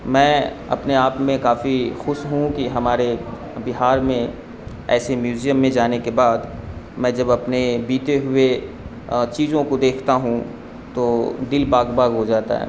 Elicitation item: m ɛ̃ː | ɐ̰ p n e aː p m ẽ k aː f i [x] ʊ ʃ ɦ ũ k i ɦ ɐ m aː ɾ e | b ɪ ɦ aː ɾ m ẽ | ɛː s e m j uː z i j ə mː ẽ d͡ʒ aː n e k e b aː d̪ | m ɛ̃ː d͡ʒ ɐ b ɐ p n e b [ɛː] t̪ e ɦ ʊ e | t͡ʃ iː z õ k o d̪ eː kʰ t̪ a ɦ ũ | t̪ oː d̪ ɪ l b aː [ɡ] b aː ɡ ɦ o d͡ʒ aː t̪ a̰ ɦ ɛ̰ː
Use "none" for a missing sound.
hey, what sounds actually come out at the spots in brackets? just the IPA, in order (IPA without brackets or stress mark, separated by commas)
x, iː, ɡ